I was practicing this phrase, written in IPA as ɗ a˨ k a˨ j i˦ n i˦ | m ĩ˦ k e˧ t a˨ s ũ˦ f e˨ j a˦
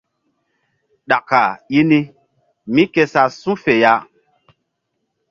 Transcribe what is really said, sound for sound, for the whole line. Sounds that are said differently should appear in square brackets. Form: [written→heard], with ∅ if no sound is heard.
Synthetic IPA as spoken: ɗ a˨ k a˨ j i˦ n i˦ | m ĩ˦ k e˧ [t→s] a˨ s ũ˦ f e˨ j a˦